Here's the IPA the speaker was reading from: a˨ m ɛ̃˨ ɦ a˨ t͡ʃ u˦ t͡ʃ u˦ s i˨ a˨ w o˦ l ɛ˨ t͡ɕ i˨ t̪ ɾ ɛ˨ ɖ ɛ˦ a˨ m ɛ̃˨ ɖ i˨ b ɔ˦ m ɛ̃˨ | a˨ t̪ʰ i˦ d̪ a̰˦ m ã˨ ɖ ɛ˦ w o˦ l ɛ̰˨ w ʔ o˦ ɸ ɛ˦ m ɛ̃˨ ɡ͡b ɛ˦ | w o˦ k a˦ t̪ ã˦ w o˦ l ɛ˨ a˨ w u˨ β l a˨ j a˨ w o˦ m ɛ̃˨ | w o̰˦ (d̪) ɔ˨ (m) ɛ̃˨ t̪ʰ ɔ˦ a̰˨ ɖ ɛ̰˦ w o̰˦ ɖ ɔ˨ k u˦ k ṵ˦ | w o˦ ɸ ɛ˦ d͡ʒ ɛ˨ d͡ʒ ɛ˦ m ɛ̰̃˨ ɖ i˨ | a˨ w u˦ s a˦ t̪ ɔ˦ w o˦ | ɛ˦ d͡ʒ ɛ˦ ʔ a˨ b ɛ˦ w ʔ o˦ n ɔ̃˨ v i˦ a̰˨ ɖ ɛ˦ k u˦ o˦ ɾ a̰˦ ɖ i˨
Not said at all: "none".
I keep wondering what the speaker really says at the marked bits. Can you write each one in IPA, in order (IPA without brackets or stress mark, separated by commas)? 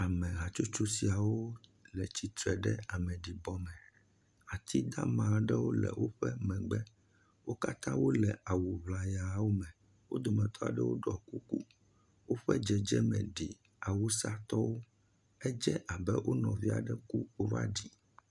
d̪, m